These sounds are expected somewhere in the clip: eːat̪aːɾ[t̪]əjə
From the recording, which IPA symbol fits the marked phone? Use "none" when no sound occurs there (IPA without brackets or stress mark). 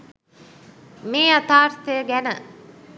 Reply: t̪